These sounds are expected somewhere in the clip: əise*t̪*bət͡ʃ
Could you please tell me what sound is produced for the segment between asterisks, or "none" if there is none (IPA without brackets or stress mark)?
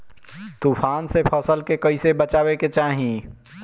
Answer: none